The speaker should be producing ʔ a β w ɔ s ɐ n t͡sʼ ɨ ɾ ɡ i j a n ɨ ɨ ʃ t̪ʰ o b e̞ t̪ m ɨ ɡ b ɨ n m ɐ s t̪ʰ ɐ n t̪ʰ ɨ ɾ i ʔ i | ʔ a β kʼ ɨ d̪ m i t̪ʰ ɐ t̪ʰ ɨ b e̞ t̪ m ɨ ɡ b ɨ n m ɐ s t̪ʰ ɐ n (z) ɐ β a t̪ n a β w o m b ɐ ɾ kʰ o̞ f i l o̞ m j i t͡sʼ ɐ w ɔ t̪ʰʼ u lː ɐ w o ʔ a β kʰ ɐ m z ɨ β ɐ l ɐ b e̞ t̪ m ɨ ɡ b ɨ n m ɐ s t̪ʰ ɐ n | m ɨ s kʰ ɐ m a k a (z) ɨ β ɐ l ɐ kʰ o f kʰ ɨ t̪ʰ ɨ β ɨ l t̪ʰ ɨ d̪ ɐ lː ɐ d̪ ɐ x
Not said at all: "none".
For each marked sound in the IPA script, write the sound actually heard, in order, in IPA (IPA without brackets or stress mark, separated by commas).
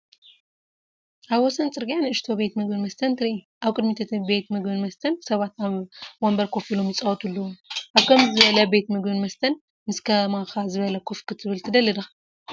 s, z